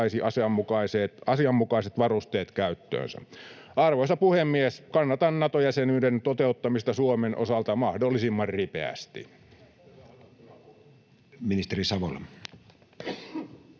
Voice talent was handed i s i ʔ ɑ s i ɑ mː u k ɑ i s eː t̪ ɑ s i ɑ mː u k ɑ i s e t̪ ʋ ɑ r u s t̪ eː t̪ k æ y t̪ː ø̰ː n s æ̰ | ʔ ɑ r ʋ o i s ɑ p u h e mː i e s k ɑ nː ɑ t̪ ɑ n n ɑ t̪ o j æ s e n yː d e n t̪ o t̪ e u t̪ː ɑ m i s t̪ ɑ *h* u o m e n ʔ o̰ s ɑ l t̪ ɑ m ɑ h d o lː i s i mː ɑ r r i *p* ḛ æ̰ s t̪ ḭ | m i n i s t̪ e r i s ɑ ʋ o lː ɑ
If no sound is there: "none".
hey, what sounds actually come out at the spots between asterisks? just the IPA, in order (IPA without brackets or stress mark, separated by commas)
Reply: s, p